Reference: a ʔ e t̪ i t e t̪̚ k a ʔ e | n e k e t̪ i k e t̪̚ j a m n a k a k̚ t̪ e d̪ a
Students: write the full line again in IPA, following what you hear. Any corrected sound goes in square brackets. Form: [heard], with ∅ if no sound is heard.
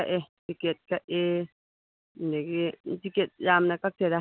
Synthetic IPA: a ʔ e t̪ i [k] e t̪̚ k a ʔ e | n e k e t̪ i k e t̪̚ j a m n a k a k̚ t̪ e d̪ a